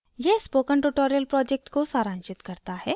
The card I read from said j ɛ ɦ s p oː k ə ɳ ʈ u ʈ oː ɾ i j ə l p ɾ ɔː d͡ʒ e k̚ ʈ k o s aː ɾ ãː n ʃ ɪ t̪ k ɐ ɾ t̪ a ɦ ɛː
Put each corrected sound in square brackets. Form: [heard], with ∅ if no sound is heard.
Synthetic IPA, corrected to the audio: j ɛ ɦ s p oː k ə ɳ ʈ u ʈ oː ɾ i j ə l p ɾ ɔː d͡ʒ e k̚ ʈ k o s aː ɾ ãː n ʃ ɪ t̪ k ɐ ɾ t̪ a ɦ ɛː

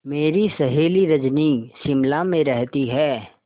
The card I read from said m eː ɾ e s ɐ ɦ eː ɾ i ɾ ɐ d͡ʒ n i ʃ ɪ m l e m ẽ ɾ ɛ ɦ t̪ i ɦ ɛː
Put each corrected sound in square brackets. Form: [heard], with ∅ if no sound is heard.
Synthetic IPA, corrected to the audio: m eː ɾ [i] s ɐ ɦ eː [l] i ɾ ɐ d͡ʒ n i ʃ ɪ m l [a] m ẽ ɾ ɛ ɦ t̪ i ɦ ɛː

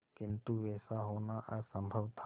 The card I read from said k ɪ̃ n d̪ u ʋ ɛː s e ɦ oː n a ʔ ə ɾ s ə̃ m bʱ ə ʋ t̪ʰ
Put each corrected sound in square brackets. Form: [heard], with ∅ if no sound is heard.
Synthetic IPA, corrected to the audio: k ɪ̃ n [t̪] u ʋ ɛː s [a] ɦ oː n a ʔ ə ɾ s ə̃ m bʱ ə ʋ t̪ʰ

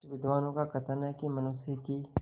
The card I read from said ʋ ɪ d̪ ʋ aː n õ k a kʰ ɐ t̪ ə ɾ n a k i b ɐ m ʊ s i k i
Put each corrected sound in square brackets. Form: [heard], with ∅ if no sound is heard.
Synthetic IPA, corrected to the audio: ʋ ɪ d̪ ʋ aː n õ k a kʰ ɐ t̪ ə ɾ n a k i [m] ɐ [n] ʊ s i k i

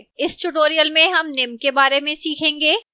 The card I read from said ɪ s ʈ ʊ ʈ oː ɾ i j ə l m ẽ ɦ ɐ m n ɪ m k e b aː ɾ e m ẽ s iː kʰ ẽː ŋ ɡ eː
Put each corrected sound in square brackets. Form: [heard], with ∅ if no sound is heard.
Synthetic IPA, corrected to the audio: ɪ s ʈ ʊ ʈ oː ɾ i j ə l m ẽ ɦ ɐ m n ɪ m k e b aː ɾ e m ẽ s iː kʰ ẽː ŋ ɡ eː

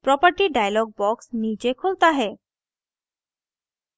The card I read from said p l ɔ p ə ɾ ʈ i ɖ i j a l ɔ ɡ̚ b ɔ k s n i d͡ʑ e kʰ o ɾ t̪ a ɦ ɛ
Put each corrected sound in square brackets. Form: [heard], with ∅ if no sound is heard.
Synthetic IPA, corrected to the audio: p [ɾ] ɔ p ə ɾ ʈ i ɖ [a] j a l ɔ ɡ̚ b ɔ k s n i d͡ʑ e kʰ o [l] t̪ a ɦ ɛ

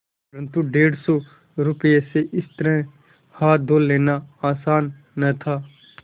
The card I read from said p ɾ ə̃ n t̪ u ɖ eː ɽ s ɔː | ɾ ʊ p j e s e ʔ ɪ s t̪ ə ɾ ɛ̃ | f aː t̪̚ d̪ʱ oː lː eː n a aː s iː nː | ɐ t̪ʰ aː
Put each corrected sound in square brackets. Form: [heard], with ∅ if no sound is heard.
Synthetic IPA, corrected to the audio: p ɾ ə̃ n t̪ u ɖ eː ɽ s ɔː | ɾ ʊ p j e s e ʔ ɪ s t̪ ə ɾ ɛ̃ | [h] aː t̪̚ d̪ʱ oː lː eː n a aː s [aː] nː | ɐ t̪ʰ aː

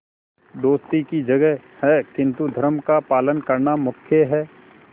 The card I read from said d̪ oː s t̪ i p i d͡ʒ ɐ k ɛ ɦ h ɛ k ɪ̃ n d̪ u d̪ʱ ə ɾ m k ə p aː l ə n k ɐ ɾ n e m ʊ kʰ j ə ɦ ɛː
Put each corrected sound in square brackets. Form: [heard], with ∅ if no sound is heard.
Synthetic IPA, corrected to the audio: d̪ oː s t̪ i [k] i d͡ʒ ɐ [ɡ] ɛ ɦ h ɛ k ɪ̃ n [t̪] u d̪ʱ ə ɾ m k [a] p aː l ə n k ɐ ɾ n [a] m ʊ kʰ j ə ɦ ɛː

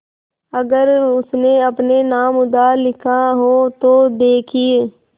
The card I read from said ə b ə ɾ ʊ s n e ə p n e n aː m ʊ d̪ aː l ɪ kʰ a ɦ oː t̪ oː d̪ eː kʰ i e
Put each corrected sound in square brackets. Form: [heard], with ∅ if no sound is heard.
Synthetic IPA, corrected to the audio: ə [ɡ] ə ɾ ʊ s n e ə p n e n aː m ʊ d̪ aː l ɪ kʰ a ɦ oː t̪ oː d̪ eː kʰ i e

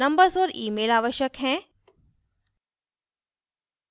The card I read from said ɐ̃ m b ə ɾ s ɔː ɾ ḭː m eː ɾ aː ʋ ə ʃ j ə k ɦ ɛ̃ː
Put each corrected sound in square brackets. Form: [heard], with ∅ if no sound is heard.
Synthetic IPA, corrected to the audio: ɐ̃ m b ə ɾ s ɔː ɾ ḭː m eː [l] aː ʋ ə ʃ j ə k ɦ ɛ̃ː

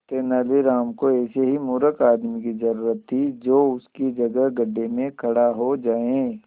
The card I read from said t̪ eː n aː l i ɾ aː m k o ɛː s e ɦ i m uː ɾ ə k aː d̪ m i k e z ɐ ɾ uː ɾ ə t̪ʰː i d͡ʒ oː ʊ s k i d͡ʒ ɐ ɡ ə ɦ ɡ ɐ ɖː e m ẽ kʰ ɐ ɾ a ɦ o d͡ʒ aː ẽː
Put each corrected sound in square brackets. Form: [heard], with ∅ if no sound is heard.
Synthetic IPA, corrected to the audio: t̪ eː n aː l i ɾ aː m k o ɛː s e ɦ i m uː ɾ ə k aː d̪ m i k [i] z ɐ ɾ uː ɾ ə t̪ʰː i d͡ʒ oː ʊ s k i d͡ʒ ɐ ɡ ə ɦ ɡ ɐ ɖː e m ẽ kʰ ɐ [ɽ] a ɦ o d͡ʒ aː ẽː

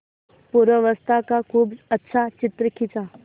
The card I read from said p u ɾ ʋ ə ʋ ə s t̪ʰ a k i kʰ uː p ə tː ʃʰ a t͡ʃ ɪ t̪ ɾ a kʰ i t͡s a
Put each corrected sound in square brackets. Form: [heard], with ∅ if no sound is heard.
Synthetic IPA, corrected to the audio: p u ɾ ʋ ə ʋ ə s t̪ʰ a k [a] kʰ uː [b] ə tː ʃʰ a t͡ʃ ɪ t̪ ɾ [ə] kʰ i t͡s a

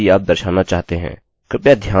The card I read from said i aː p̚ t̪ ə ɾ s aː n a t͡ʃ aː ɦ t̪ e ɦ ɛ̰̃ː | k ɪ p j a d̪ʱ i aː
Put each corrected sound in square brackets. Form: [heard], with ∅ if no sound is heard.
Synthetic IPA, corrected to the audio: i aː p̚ [d̪] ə ɾ [ʃ] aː n a t͡ʃ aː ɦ t̪ e ɦ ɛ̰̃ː | k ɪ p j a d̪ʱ [j] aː

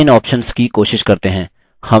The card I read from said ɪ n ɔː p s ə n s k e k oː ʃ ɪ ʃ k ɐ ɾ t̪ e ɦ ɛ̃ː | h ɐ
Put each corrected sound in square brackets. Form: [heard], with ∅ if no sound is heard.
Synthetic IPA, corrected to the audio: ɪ n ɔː p [ʃ] ə n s k [i] k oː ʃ ɪ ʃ k ɐ ɾ t̪ e ɦ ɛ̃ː | h ɐ

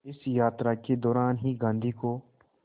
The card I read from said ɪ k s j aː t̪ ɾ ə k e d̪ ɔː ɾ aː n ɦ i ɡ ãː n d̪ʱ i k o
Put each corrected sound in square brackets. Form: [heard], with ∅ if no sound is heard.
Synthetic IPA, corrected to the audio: ɪ [∅] s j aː t̪ ɾ [a] k e d̪ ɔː ɾ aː n ɦ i ɡ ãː n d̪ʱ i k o

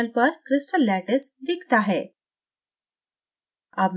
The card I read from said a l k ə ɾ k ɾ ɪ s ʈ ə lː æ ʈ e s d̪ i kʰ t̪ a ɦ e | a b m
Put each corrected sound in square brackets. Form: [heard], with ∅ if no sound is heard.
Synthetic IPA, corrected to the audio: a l [p] ə ɾ k ɾ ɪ s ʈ ə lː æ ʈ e s d̪ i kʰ t̪ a ɦ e | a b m

